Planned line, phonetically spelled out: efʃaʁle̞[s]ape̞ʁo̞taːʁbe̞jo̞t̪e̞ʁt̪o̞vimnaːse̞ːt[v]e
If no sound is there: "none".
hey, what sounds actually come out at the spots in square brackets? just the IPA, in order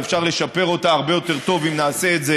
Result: ʃ, z

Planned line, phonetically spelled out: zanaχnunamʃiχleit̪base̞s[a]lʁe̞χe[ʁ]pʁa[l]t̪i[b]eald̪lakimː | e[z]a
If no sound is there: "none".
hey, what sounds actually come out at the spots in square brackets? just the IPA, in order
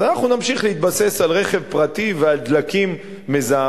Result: a, v, none, v, z

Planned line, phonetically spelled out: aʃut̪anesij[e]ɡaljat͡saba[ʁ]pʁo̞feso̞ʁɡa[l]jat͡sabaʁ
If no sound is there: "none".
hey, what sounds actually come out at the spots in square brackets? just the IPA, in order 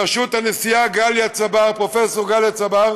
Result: a, ʁ, l

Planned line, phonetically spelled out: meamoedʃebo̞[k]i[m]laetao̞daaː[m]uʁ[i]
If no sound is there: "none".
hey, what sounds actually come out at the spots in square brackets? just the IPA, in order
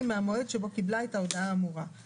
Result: k, b, m, a

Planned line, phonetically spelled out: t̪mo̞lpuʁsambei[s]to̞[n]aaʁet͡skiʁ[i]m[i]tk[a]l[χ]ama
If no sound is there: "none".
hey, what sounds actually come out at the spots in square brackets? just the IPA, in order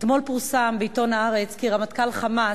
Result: none, n, a, a, a, χ

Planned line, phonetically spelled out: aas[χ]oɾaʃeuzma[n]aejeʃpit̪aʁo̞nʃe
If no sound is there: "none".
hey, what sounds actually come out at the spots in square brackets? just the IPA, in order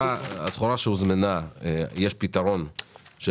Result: χ, n

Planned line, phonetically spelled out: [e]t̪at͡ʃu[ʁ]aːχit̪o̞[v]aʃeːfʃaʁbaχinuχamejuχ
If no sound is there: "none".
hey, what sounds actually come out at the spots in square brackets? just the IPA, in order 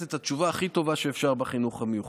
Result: e, v, v

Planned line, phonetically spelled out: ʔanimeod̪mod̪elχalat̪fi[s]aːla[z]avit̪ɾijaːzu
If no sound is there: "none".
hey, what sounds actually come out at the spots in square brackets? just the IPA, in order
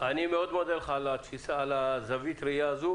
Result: s, z

